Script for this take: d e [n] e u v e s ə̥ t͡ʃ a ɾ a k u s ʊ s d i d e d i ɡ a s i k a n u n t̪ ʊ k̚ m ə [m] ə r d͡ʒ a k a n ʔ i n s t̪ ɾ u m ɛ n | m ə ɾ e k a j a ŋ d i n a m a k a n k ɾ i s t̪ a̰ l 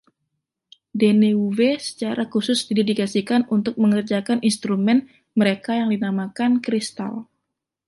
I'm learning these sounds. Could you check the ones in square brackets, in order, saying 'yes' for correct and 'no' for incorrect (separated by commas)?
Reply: yes, no